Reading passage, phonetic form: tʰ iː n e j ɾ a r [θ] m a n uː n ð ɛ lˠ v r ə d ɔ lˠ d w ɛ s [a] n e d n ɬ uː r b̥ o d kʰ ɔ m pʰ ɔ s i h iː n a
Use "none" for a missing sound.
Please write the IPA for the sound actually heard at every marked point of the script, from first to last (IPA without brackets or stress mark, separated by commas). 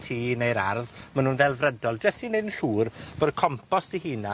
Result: ð, i